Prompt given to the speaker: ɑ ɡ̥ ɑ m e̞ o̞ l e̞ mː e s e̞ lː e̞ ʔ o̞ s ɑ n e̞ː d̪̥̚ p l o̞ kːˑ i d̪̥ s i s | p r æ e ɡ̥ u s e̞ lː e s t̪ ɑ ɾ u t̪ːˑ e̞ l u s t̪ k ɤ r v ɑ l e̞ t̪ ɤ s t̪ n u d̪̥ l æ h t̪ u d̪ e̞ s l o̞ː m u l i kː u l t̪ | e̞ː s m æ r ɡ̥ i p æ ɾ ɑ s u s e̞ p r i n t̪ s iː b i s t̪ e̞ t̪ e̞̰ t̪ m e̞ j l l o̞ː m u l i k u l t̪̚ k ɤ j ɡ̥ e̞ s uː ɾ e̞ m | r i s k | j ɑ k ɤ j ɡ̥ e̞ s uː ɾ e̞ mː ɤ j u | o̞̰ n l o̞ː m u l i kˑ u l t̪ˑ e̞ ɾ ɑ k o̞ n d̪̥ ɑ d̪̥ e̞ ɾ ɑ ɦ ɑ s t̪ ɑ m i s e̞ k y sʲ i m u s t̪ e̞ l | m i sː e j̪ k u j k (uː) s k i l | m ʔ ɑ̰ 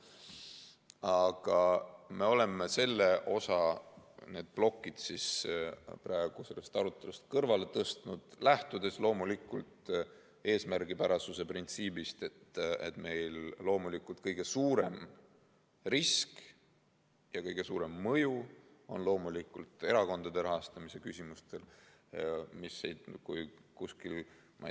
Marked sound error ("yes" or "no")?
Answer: yes